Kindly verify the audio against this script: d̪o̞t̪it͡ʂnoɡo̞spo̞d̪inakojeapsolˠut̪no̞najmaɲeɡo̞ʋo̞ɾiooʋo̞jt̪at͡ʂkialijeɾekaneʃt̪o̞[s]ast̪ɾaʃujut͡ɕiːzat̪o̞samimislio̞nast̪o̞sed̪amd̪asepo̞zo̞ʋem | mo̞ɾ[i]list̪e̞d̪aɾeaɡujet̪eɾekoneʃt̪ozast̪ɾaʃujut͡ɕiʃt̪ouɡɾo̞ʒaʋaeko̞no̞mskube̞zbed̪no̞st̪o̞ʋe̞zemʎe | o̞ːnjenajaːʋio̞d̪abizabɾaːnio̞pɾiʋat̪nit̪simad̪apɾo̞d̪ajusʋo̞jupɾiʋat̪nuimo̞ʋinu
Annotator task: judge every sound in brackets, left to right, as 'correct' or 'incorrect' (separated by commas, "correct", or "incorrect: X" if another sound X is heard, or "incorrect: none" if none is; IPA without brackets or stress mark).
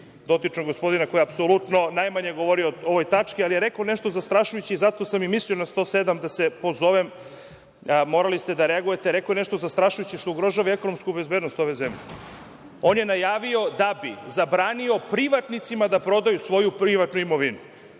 incorrect: z, incorrect: a